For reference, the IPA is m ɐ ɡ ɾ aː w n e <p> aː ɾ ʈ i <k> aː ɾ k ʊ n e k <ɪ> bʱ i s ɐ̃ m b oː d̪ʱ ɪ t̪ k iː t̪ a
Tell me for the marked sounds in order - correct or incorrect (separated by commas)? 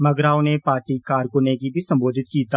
correct, correct, incorrect